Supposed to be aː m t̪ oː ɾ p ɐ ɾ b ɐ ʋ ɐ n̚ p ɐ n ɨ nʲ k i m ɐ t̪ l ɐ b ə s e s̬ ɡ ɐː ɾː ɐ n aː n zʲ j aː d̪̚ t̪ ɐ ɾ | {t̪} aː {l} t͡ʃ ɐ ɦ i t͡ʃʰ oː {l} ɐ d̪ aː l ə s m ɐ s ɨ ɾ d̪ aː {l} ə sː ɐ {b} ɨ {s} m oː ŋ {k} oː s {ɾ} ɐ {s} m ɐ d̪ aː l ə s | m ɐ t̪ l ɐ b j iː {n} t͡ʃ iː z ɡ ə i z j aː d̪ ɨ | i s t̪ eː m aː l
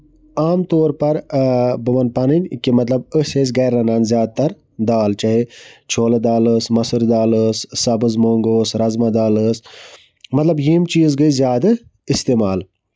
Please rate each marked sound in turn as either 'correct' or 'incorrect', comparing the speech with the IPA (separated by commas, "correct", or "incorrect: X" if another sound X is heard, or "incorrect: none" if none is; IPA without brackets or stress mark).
incorrect: d̪, correct, correct, correct, correct, incorrect: z, incorrect: ɡ, correct, incorrect: z, incorrect: m